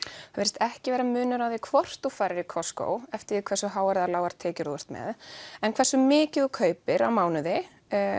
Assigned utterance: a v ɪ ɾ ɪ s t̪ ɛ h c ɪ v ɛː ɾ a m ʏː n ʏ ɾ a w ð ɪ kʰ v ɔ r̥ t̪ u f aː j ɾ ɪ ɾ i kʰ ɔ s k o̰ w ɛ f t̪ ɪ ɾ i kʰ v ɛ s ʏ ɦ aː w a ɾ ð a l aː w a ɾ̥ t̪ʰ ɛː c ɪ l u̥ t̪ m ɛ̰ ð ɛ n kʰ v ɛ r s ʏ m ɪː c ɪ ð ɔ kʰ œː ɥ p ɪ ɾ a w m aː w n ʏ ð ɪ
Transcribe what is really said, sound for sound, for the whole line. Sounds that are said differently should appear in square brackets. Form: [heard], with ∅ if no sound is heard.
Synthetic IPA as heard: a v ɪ ɾ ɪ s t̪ ɛ h c ɪ v ɛː ɾ a m ʏː n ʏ ɾ a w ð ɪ kʰ v ɔ r̥ t̪ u f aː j ɾ ɪ ɾ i kʰ ɔ s k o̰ w ɛ f t̪ ɪ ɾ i kʰ v ɛ s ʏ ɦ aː w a ɾ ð a l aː w a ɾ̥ t̪ʰ ɛː c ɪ [ɾ] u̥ t̪ m ɛ̰ ð ɛ n kʰ v ɛ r s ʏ m ɪː c ɪ ð ɔ kʰ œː ɥ p ɪ ɾ a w m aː w n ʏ ð ɪ